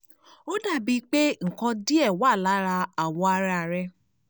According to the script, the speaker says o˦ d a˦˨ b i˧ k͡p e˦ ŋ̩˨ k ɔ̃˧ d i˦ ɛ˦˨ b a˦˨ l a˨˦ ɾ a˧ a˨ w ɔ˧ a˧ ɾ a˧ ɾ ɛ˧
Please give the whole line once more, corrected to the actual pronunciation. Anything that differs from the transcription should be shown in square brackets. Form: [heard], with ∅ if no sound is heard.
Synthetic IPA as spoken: o˦ d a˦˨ b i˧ k͡p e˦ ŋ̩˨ k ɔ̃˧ d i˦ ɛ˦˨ [w] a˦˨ l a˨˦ ɾ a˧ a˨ w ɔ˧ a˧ ɾ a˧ ɾ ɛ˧

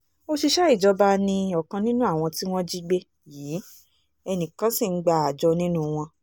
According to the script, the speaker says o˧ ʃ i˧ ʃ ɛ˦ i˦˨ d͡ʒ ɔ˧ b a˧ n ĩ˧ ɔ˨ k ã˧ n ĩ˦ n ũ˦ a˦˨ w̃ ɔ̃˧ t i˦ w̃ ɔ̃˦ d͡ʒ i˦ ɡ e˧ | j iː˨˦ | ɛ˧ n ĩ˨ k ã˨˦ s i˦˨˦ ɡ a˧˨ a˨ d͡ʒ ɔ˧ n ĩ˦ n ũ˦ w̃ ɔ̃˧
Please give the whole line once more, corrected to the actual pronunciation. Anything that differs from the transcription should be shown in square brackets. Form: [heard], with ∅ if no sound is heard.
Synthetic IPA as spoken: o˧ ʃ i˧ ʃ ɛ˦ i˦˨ d͡ʒ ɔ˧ b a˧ n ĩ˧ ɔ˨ k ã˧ n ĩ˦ n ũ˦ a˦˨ w̃ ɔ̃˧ t i˦ w̃ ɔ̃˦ d͡ʒ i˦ [ɡ͡b] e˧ | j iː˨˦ | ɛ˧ n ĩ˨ k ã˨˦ s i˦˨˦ [ɡ͡b] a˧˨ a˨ d͡ʒ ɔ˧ n ĩ˦ n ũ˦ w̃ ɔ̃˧

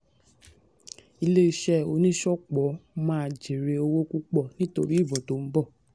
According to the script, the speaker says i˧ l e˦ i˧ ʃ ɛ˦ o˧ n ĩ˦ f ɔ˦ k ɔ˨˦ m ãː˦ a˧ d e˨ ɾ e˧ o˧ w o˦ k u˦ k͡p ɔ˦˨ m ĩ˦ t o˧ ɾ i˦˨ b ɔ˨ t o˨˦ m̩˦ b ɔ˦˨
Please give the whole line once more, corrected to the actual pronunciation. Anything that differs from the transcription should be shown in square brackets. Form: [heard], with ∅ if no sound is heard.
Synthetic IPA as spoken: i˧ l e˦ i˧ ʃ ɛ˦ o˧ n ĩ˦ [ʃ] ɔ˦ [k͡p] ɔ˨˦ m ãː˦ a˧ [d͡ʒ] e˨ ɾ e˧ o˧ w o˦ k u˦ k͡p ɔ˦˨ [n] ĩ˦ t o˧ ɾ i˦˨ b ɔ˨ t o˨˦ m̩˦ b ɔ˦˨

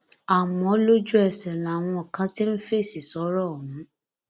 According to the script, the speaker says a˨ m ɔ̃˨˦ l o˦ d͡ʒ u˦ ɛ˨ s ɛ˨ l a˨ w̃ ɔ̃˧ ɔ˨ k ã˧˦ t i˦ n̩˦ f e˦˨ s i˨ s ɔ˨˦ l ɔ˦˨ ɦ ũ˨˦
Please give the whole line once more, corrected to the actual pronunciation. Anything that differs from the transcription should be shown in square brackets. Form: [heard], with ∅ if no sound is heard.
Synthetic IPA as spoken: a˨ m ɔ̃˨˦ l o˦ d͡ʒ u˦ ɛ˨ s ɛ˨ l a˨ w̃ ɔ̃˧ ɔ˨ k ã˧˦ t i˦ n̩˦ f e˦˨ s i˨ s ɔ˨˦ [ɾ] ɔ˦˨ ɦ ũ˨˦

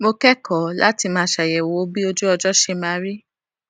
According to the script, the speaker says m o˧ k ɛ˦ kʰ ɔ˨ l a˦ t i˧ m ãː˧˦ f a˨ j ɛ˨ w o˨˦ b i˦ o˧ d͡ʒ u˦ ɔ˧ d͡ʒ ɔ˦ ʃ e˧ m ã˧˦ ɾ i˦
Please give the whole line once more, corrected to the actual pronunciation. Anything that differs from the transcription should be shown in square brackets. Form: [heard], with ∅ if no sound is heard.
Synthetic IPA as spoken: m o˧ k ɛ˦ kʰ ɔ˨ l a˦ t i˧ m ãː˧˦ [ʃ] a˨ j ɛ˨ w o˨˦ b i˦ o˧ d͡ʒ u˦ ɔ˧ d͡ʒ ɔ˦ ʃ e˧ m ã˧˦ ɾ i˦

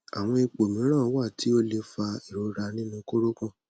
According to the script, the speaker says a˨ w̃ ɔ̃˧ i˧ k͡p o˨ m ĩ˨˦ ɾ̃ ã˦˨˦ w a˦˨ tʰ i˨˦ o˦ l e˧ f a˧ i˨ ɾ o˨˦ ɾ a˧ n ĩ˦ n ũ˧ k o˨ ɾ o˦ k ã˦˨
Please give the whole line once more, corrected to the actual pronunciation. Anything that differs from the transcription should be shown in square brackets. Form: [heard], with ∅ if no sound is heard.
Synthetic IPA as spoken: a˨ w̃ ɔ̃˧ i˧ k͡p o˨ m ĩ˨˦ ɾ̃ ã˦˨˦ w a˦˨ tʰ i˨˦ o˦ l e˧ f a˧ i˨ ɾ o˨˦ ɾ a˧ n ĩ˦ n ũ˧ k [o˦] ɾ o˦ k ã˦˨

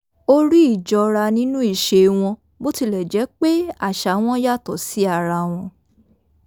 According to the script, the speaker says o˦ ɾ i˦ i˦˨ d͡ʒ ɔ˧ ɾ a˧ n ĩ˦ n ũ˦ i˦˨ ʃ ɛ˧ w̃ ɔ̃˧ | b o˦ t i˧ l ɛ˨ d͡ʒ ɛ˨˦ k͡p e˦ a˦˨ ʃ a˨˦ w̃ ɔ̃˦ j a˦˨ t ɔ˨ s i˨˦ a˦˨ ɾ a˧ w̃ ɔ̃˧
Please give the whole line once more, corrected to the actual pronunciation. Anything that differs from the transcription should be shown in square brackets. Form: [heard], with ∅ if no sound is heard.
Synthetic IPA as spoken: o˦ ɾ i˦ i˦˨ d͡ʒ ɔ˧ ɾ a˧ n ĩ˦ n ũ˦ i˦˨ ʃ [e˧] w̃ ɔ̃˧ | b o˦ t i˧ l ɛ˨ d͡ʒ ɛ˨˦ k͡p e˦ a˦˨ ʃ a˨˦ w̃ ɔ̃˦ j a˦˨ t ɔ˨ s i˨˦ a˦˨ ɾ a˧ w̃ ɔ̃˧

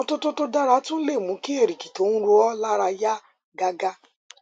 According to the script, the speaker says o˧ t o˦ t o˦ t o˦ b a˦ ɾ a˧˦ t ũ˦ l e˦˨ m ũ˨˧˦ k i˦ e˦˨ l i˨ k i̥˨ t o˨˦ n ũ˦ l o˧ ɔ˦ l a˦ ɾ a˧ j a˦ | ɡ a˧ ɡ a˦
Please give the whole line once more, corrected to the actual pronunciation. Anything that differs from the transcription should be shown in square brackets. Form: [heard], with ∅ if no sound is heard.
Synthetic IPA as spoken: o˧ t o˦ t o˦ t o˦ [d] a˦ ɾ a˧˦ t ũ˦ l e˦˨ m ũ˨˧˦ k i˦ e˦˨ [ɾ] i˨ k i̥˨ t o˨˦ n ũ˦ [ɾ] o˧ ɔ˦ l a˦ ɾ a˧ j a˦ | ɡ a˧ ɡ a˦

